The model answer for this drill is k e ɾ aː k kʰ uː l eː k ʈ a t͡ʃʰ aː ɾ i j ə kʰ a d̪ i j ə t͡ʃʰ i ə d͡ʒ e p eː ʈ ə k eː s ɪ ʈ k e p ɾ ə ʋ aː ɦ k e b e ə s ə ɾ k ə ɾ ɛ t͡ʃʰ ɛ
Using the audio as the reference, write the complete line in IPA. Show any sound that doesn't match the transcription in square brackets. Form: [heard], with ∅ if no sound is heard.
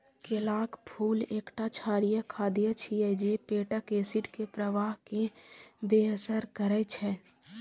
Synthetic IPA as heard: k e [l] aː k [pʰ] uː l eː k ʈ a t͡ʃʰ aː ɾ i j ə kʰ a d̪ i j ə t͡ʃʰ i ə d͡ʒ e p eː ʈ ə k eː s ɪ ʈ k e p ɾ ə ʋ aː ɦ k e b e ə s ə ɾ k ə ɾ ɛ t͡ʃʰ ɛ